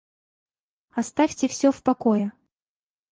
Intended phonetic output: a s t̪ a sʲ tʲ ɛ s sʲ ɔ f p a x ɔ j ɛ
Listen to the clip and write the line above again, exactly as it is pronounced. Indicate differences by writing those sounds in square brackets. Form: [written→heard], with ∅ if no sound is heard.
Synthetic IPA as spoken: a s t̪ a [sʲ→fʲ] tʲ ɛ [s→f] sʲ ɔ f p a [x→k] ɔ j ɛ